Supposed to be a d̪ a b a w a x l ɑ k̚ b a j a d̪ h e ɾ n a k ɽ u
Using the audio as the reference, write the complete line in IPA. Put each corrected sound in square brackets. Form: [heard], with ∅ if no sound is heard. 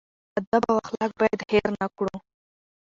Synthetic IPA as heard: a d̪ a b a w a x l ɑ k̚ b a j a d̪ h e ɾ n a k ɽ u

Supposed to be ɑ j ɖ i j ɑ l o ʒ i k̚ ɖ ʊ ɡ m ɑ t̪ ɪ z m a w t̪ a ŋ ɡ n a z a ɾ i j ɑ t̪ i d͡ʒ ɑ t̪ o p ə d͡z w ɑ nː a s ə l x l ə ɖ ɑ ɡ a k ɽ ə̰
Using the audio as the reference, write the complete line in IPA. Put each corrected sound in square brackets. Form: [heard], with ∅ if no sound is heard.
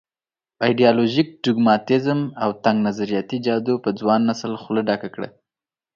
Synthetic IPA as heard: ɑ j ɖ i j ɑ l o ʒ i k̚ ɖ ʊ ɡ m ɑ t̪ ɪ z m a w t̪ a ŋ ɡ n a z a ɾ i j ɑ t̪ i d͡ʒ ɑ [d̪] o p ə d͡z w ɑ nː a s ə l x l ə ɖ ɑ [k] a k ɽ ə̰

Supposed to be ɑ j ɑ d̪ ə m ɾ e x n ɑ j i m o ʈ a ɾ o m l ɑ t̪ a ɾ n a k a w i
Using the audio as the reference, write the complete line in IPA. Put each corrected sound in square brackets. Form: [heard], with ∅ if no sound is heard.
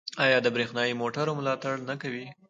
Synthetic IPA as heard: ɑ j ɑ d̪ ə [b] ɾ e x n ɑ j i m o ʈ a ɾ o m l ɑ t̪ a [ɽ] n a k a w i

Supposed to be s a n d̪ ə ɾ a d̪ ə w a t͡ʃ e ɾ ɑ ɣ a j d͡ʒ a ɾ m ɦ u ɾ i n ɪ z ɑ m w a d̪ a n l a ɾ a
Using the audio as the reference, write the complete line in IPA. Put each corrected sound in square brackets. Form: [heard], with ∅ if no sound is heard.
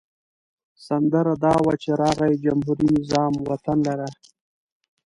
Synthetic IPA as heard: s a n d̪ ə ɾ a d̪ [ɑ] w a t͡ʃ e ɾ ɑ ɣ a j d͡ʒ a [∅] m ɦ u ɾ i n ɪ z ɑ m w a [t̪] a n l a ɾ a

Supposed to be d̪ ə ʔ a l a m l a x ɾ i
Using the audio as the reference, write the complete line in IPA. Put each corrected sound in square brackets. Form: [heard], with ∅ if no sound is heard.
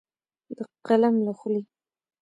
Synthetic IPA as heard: d̪ ə [q] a l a m l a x [l] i

